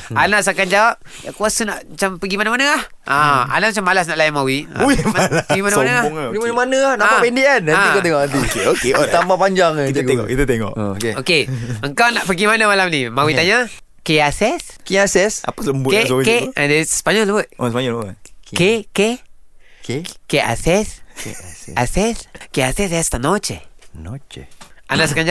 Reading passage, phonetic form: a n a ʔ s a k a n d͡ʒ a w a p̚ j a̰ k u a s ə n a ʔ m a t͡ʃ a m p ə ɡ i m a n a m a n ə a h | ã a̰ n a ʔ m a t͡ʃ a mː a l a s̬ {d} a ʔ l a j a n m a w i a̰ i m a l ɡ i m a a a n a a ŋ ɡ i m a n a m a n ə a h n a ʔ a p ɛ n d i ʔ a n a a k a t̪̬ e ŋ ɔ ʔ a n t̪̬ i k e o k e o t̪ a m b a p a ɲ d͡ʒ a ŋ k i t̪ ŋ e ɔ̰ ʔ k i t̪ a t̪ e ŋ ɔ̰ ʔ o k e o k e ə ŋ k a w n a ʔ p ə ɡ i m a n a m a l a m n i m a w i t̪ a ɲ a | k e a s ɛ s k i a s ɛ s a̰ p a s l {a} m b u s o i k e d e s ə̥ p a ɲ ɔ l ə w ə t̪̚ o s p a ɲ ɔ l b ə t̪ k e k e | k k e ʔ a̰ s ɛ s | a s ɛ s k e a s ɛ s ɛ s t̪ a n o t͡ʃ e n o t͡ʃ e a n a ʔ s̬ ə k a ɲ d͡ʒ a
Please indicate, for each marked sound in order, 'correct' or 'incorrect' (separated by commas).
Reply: incorrect, incorrect